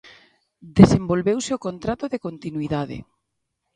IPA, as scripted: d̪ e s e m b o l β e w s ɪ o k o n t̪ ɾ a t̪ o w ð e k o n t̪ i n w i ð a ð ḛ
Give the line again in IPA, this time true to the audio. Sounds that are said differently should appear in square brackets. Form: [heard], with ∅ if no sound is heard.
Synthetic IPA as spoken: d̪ e s e m b o l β e w s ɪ o k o n t̪ ɾ a t̪ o [∅] ð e k o n t̪ i n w i ð a ð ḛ